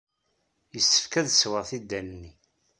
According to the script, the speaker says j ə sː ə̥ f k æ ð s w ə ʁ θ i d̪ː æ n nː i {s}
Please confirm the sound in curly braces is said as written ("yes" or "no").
no